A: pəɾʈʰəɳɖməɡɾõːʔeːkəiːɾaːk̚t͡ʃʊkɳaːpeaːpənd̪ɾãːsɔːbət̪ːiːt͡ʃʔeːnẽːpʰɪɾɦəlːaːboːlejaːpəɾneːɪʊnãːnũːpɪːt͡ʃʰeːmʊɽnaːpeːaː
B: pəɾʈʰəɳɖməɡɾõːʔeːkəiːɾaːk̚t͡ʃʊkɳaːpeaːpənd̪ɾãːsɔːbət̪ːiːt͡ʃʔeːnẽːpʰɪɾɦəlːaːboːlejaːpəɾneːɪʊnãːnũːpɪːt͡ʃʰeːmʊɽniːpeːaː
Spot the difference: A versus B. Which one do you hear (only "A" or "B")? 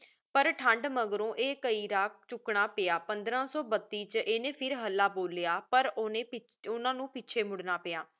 A